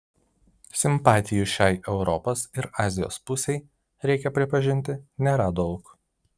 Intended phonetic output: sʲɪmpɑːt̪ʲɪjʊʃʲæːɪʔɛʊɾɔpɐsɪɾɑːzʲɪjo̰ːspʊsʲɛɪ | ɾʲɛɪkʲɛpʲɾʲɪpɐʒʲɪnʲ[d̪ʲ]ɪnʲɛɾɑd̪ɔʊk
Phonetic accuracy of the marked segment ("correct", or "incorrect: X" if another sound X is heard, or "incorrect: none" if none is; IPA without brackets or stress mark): incorrect: t̪ʲ